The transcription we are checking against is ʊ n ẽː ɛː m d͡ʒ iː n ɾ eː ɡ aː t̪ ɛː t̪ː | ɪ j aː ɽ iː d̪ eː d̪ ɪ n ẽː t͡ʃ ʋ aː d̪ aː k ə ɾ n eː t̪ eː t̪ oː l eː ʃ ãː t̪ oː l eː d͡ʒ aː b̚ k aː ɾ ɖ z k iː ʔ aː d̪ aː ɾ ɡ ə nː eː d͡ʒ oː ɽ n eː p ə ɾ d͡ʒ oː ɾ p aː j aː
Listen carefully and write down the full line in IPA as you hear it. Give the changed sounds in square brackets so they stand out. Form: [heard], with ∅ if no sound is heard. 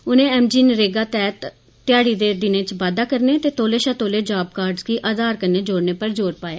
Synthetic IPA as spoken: ʊ n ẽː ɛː m d͡ʒ iː n ɾ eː ɡ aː t̪ ɛː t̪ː | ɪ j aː ɽ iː d̪ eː d̪ ɪ n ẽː t͡ʃ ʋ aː d̪ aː k ə ɾ n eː t̪ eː t̪ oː l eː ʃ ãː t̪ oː l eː d͡ʒ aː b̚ k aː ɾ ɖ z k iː ʔ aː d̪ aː ɾ [k] ə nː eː d͡ʒ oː ɽ n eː p ə ɾ d͡ʒ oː ɾ p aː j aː